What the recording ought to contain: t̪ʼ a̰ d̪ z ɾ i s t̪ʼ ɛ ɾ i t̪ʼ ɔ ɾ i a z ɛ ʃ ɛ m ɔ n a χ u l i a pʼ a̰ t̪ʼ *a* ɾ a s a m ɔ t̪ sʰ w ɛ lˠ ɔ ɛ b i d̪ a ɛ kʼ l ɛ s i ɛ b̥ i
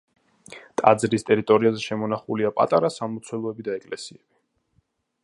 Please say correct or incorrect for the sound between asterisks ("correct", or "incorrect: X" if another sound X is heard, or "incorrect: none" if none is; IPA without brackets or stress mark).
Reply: correct